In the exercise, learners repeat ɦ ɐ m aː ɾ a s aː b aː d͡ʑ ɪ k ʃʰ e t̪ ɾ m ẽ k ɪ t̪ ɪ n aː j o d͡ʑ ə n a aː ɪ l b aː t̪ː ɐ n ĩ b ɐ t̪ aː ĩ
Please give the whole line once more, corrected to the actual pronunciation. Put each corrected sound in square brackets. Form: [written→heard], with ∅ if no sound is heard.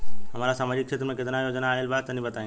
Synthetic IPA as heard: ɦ ɐ m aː ɾ a s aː [b→m] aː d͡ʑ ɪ k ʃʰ e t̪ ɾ m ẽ k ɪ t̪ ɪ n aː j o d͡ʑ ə n a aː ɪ l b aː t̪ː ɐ n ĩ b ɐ t̪ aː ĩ

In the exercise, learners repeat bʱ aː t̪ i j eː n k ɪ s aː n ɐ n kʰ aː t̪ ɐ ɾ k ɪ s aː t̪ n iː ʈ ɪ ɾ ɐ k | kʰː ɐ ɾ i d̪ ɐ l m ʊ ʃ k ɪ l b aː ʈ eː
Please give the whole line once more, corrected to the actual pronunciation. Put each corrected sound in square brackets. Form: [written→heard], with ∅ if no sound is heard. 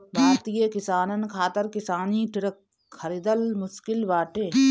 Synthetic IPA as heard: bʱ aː t̪ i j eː [n→∅] k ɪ s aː n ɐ n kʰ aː t̪ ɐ ɾ k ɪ s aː [t̪→∅] n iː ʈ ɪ ɾ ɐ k | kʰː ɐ ɾ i d̪ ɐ l m ʊ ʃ k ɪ l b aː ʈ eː

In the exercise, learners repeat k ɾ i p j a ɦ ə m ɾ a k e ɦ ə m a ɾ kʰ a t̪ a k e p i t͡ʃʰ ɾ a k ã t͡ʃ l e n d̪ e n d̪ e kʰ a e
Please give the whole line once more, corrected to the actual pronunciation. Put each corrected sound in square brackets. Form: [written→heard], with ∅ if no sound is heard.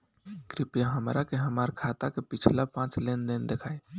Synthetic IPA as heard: k ɾ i p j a ɦ ə m ɾ a k e ɦ ə m a ɾ kʰ a t̪ a k e p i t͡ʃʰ [ɾ→l] a [k→p] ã t͡ʃ l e n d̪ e n d̪ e kʰ a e

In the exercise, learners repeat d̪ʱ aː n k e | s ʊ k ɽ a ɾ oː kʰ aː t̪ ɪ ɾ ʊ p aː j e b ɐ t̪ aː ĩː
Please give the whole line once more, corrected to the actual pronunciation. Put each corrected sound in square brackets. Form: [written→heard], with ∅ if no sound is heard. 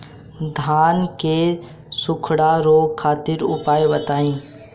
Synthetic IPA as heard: d̪ʱ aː n k e | s ʊ [k→kʰ] ɽ a ɾ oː kʰ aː t̪ ɪ ɾ ʊ p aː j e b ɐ t̪ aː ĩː

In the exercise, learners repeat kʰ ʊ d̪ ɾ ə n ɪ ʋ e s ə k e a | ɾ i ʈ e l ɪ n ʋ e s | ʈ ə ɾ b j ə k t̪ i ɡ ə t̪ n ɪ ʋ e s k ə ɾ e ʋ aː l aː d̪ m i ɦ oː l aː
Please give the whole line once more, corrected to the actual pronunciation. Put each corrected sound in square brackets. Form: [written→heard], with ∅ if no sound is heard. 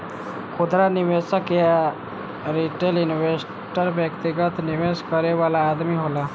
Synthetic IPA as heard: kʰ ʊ d̪ ɾ [ə→a] n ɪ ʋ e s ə k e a | ɾ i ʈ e l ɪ n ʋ e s | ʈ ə ɾ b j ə k t̪ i ɡ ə t̪ n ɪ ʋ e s k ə ɾ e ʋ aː l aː d̪ m i ɦ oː l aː

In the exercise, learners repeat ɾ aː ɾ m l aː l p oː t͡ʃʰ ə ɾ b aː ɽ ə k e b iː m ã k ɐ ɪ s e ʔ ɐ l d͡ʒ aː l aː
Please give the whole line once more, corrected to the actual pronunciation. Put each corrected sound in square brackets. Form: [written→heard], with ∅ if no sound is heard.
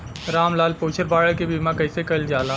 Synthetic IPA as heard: ɾ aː [ɾ→∅] m l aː l p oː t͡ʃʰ ə ɾ b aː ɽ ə k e b iː m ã k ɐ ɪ s e [ʔ→k] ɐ l d͡ʒ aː l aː

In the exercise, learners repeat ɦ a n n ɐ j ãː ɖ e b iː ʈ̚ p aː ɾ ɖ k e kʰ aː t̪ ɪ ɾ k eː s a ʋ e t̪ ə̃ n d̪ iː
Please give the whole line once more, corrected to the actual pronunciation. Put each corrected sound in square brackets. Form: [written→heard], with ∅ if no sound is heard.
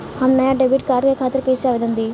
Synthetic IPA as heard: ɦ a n n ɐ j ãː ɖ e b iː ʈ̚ [p→k] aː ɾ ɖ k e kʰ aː t̪ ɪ ɾ k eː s a ʋ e [t̪→d̪] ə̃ n d̪ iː

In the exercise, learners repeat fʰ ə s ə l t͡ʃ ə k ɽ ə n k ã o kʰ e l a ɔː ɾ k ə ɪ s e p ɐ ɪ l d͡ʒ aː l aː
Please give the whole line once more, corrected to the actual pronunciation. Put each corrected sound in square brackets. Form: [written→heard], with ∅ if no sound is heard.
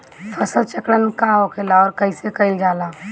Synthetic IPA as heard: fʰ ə s ə l t͡ʃ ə k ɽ ə n k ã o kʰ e l a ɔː ɾ k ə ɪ s e [p→k] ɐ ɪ l d͡ʒ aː l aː

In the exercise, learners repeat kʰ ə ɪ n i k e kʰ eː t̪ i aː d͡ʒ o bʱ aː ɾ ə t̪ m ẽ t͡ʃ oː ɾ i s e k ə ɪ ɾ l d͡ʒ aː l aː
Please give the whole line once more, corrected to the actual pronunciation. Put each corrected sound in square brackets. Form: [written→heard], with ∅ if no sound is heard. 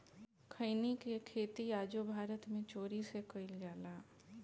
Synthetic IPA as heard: kʰ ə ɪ n i k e kʰ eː t̪ i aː d͡ʒ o bʱ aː ɾ ə t̪ m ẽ t͡ʃ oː ɾ i s e k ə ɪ [ɾ→∅] l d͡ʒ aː l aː

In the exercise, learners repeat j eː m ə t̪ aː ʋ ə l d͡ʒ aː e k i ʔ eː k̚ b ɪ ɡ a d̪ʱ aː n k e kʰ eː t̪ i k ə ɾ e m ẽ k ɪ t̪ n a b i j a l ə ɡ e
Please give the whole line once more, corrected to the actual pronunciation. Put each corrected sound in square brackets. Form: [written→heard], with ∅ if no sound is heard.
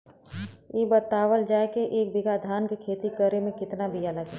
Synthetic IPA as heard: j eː [m→b] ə t̪ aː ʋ ə l d͡ʒ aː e k [i→e] ʔ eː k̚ b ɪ ɡ a d̪ʱ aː n k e kʰ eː t̪ i k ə ɾ e m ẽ k ɪ t̪ n a b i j a l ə ɡ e

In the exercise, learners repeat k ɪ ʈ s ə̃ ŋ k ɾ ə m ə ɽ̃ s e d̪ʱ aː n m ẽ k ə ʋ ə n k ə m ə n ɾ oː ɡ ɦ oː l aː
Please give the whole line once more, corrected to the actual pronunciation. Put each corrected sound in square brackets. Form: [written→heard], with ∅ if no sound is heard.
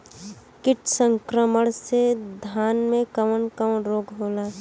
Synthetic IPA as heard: k ɪ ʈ s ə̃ ŋ k ɾ ə m ə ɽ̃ s e d̪ʱ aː n m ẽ k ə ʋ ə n k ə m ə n ɾ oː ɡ ɦ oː l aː

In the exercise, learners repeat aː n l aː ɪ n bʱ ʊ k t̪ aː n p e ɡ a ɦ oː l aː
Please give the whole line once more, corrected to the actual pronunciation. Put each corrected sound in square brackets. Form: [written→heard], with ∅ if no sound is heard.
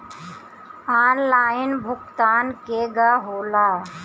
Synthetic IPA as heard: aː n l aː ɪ n bʱ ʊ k t̪ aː n [p→k] e ɡ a ɦ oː l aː

